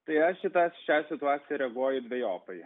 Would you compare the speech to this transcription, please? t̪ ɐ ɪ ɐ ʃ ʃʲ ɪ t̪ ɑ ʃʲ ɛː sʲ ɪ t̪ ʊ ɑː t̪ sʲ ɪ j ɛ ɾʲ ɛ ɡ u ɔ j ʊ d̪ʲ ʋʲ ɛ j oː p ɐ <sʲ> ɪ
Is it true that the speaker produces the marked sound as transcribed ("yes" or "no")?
no